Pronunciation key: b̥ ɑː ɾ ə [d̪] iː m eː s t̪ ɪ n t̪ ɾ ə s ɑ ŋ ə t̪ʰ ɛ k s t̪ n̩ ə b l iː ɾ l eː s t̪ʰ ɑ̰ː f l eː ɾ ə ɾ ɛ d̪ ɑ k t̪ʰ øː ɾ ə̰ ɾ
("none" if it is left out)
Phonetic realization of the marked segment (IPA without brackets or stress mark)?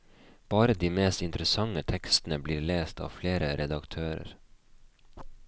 d̪